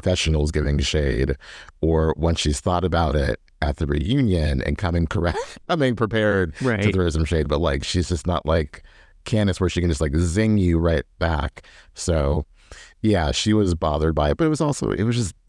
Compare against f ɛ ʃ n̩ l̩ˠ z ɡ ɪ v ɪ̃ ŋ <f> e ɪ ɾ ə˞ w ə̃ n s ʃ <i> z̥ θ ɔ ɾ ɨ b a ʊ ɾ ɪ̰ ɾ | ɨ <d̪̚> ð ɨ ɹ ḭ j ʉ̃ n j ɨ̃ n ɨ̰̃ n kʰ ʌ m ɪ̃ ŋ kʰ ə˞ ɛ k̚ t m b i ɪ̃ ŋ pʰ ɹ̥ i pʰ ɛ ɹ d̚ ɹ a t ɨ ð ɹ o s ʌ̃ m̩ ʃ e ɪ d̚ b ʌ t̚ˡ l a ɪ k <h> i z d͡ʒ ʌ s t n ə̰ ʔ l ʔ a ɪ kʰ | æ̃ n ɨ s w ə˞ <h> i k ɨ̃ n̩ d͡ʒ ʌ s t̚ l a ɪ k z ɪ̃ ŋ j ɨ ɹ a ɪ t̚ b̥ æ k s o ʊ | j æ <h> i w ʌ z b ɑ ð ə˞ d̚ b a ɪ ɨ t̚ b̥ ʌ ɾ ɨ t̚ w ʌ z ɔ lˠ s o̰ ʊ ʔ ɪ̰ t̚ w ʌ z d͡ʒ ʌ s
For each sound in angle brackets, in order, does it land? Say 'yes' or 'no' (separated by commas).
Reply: no, yes, no, no, no, no